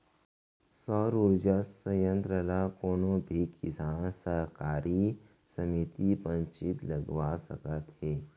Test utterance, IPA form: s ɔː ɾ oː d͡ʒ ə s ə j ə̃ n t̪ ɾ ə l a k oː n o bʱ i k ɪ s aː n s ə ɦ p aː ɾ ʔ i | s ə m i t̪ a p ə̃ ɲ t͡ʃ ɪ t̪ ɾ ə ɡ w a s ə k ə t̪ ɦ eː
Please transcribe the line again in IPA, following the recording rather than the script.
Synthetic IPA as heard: s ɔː ɾ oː d͡ʒ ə s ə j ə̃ n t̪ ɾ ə l a k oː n o bʱ i k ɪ s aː n s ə ɦ k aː ɾ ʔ i | s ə m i t̪ i p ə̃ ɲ t͡ʃ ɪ t̪ l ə ɡ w a s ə k ə t̪ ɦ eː